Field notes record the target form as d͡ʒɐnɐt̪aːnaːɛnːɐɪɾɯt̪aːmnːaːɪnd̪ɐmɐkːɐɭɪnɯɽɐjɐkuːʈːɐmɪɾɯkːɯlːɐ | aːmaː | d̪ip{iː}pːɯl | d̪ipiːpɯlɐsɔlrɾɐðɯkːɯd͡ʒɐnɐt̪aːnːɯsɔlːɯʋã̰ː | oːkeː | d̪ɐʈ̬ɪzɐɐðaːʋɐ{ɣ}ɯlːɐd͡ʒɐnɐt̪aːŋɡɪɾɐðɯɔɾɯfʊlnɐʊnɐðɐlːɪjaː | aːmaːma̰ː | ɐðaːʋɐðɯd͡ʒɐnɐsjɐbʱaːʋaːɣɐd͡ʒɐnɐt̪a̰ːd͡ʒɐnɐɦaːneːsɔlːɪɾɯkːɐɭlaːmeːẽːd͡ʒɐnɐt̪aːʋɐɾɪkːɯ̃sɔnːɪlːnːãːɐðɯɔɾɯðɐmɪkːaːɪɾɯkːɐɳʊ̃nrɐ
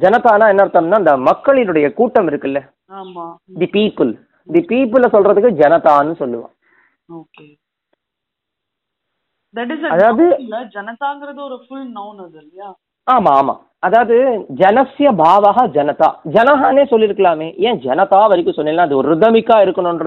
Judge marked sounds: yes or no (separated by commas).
yes, no